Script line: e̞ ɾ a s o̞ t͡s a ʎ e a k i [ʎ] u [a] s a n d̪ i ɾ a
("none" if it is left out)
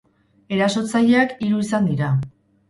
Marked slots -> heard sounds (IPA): ɾ, i

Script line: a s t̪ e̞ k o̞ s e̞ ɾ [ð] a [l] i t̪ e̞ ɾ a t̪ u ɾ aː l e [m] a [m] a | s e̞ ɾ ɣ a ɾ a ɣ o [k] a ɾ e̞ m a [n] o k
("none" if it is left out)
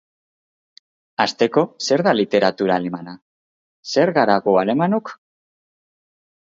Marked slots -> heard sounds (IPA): ð, l, m, n, none, n

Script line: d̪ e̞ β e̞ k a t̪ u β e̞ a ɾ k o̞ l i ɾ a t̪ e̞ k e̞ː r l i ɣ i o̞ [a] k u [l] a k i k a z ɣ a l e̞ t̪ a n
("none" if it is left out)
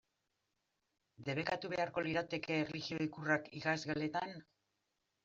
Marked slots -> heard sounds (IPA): i, r

